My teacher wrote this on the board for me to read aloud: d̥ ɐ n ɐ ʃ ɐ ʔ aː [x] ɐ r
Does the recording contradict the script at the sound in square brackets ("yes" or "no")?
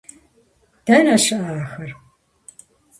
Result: no